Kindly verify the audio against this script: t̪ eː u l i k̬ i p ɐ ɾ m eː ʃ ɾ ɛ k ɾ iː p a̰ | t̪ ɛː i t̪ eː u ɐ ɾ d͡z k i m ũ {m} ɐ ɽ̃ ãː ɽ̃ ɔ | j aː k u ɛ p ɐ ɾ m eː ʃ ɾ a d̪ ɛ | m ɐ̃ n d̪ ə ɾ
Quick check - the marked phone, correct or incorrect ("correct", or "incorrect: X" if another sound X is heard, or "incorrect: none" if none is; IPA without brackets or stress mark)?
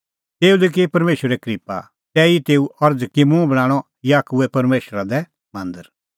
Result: incorrect: b